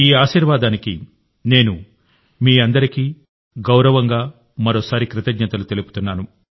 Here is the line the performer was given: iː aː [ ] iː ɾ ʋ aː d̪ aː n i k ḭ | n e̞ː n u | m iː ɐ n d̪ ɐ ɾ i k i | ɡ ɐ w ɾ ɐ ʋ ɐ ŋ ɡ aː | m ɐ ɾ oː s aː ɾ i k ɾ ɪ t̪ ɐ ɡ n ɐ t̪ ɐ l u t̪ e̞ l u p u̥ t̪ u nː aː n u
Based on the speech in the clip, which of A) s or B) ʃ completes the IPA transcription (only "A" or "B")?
B